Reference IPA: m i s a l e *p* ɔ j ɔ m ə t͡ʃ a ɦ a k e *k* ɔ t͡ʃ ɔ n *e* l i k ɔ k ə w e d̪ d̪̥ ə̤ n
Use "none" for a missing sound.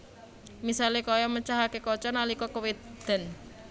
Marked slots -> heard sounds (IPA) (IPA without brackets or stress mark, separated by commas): k, k, a